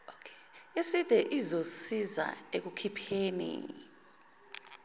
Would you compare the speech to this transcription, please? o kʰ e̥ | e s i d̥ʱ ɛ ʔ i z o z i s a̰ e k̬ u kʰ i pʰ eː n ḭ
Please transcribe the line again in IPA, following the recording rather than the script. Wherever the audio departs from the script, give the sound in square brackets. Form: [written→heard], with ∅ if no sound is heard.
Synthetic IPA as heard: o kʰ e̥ | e s i d̥ʱ ɛ ʔ i z o [z→s] i [s→z] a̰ e k̬ u kʰ i pʰ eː n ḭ

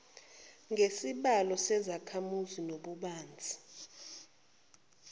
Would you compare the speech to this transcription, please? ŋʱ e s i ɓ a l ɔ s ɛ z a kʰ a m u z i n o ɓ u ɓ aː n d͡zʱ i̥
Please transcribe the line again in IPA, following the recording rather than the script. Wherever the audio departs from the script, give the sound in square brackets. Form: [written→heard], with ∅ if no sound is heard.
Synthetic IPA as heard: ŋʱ e s i ɓ a l ɔ s ɛ z a kʰ a m u z i n o ɓ u ɓ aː n d͡zʱ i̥

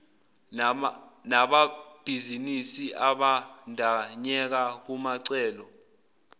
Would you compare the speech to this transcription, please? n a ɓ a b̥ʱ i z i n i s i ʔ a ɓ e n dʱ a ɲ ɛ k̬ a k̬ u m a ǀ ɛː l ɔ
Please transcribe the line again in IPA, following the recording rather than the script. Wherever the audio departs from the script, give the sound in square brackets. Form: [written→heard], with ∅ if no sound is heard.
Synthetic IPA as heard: n a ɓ a b̥ʱ i z i n i s i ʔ a ɓ [e→a] n dʱ a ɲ ɛ k̬ a k̬ u m a ǀ ɛː l ɔ

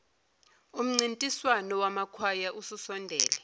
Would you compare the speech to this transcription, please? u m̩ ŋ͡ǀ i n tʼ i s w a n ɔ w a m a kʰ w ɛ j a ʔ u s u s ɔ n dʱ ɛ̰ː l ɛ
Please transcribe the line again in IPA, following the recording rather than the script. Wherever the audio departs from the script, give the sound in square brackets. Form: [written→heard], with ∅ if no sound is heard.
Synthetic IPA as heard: u m̩ ŋ͡ǀ i n tʼ i s w a n ɔ w a m a kʰ w [ɛ→a] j a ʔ u s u s ɔ n dʱ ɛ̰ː l ɛ

